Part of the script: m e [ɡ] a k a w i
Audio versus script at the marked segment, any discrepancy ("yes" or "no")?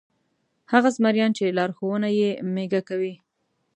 no